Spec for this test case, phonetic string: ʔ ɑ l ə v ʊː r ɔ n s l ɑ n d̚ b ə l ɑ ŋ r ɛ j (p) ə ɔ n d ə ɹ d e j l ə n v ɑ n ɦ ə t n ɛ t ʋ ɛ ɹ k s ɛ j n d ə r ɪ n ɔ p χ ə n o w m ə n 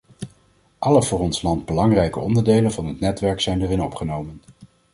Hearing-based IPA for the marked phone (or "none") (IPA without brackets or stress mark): k